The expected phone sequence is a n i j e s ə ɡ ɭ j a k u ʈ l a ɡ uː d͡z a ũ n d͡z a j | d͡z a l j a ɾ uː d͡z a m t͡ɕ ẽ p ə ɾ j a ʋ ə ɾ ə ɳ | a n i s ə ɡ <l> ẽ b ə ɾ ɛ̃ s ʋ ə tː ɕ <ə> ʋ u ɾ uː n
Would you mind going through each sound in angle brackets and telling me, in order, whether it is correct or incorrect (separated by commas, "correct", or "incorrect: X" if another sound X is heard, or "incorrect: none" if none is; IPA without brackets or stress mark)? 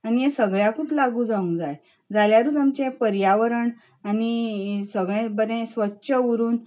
incorrect: ɭ, correct